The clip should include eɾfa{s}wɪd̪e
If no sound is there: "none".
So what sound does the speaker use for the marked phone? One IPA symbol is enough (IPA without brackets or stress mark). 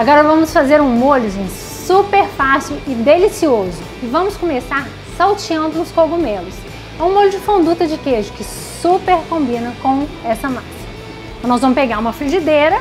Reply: s